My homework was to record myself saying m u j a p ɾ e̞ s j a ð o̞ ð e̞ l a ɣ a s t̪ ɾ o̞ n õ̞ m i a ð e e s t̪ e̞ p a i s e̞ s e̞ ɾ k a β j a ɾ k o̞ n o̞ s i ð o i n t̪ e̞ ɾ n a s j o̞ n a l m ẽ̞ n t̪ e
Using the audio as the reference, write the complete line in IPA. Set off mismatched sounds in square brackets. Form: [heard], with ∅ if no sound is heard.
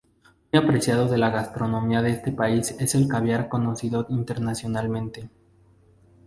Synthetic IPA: m u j a p ɾ e̞ s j a ð o̞ ð e̞ l a ɣ a s t̪ ɾ o̞ n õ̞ m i a ð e e s t̪ e̞ p a i s e̞ s e̞ [l] k a β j a ɾ k o̞ n o̞ s i ð o i n t̪ e̞ ɾ n a s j o̞ n a l m ẽ̞ n t̪ e